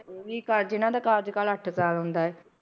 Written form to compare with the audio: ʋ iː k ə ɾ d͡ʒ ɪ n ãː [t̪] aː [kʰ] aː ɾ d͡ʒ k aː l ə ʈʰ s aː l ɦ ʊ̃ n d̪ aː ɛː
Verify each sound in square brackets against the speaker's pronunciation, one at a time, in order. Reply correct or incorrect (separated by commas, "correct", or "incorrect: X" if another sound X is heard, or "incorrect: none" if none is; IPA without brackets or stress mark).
incorrect: d̪, incorrect: k